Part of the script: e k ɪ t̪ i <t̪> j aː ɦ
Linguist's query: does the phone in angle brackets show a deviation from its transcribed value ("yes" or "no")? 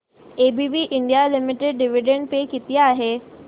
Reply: yes